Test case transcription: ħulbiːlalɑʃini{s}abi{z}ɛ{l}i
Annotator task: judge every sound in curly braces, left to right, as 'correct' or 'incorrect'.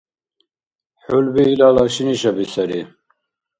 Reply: incorrect: ʃ, incorrect: s, incorrect: ɾ

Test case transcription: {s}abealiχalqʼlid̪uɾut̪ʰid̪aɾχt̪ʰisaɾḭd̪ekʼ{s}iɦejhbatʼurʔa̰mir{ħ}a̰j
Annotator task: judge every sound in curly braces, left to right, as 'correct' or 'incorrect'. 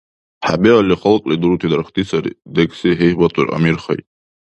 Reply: incorrect: ħ, correct, incorrect: χ

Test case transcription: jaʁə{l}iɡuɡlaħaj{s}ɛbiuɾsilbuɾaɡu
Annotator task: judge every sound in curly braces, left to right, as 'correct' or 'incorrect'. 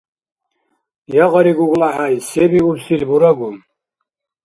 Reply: incorrect: ɾ, correct

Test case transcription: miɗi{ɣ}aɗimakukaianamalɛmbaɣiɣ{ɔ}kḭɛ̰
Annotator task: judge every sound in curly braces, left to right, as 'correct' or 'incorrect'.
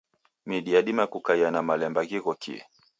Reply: incorrect: none, correct

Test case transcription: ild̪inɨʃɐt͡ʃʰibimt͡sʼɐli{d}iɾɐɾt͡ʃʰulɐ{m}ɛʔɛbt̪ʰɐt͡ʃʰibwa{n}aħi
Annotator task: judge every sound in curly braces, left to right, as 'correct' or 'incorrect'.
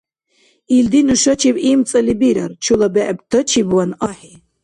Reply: incorrect: b, incorrect: b, correct

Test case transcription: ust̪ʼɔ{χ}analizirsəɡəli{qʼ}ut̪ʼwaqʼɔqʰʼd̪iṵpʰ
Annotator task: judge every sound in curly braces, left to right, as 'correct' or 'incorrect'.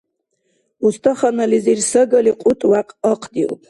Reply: correct, correct

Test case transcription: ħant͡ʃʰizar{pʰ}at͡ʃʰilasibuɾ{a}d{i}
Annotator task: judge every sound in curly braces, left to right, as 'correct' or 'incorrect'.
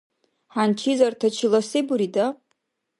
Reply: incorrect: tʰ, incorrect: i, incorrect: a

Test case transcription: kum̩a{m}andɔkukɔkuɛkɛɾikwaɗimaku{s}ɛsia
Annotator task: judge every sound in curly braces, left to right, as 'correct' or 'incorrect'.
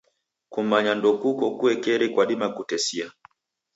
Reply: incorrect: ɲ, incorrect: t

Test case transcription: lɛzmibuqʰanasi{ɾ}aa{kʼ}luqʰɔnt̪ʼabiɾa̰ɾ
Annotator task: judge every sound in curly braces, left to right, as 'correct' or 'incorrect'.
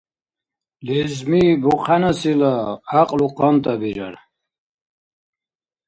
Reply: incorrect: l, incorrect: qʼ

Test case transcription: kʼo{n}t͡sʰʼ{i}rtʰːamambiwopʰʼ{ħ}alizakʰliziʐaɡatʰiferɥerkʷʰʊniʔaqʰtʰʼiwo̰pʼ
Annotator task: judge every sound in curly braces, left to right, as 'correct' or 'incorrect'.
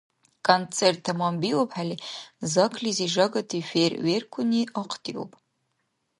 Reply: correct, incorrect: e, correct

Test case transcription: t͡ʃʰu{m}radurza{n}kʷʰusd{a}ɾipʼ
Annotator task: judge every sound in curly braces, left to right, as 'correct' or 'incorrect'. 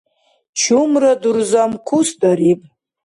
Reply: correct, incorrect: m, correct

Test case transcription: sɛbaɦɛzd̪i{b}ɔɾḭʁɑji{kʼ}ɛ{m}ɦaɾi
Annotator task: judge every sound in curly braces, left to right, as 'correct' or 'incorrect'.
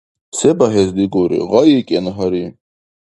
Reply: incorrect: ɡ, correct, incorrect: n

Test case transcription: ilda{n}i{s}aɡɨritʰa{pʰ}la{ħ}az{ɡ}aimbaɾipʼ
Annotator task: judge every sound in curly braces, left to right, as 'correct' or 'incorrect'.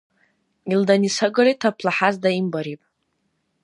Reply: correct, correct, correct, correct, incorrect: d

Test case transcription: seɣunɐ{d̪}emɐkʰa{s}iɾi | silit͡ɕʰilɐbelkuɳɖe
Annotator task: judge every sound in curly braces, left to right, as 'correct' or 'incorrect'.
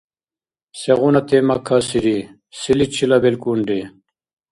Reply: incorrect: t̪, correct

